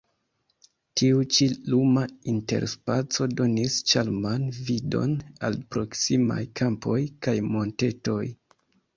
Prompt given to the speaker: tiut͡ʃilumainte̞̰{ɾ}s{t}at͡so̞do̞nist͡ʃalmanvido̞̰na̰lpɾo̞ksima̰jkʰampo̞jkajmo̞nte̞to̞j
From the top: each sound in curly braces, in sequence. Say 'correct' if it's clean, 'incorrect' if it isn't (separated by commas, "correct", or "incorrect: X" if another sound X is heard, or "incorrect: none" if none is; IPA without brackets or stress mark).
correct, incorrect: p